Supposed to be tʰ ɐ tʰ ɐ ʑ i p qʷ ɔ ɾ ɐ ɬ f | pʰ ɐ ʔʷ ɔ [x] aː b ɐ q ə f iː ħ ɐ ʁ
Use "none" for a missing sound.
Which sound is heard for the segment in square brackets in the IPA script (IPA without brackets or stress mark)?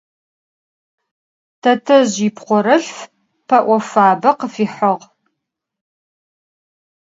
f